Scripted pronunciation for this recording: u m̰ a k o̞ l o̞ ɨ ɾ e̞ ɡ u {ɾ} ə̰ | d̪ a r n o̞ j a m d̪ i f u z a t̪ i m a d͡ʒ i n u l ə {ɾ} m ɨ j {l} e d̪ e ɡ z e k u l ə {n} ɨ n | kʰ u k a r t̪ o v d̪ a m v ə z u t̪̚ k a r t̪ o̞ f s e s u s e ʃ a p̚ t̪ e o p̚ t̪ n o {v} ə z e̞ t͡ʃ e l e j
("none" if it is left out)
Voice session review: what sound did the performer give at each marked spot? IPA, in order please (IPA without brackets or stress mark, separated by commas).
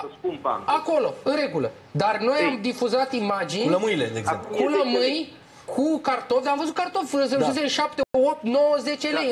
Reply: l, none, l, m, w